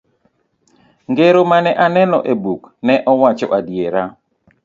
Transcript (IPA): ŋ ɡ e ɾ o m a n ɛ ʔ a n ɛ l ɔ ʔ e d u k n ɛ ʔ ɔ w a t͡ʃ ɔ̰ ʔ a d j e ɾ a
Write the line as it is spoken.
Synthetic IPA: ŋ ɡ e ɾ o m a n ɛ ʔ a n ɛ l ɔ ʔ e b u k n ɛ ʔ ɔ w a t͡ʃ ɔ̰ ʔ a d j e ɾ a